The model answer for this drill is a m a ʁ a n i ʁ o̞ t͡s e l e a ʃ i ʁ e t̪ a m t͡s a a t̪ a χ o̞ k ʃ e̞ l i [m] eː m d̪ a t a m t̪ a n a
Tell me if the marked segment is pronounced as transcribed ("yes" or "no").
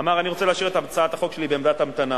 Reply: no